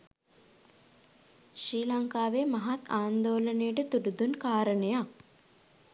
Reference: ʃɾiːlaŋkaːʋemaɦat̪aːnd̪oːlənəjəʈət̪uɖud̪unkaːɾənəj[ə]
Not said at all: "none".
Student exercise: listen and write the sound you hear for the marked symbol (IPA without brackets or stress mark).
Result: a